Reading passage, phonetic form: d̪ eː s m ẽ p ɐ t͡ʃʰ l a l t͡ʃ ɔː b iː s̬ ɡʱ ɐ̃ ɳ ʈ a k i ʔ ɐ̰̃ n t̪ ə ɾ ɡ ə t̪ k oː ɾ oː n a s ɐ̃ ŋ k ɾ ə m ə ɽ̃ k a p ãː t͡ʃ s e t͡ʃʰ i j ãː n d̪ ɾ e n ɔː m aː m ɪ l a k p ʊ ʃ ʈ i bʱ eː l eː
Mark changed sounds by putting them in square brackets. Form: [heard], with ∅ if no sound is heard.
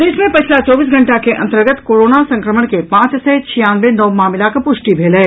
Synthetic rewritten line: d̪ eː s m ẽ p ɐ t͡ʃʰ l a [∅] t͡ʃ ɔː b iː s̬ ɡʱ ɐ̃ ɳ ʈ a k [e] ʔ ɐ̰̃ n t̪ ə ɾ ɡ ə t̪ k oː ɾ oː n a s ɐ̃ ŋ k ɾ ə m ə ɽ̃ k [e] p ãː t͡ʃ s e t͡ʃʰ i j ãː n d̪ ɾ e n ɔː m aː m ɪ l a k p ʊ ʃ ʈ i bʱ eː l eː